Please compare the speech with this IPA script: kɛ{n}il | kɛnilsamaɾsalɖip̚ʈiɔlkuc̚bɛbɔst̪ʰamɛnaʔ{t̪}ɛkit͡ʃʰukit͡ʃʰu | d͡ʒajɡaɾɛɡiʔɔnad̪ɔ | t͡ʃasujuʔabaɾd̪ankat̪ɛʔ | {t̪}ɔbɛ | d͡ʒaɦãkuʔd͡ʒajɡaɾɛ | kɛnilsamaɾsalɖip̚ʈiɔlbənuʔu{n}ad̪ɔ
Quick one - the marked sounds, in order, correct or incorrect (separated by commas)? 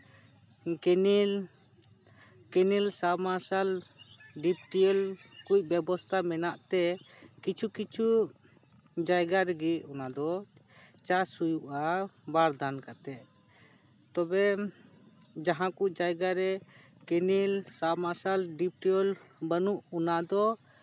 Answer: correct, correct, correct, correct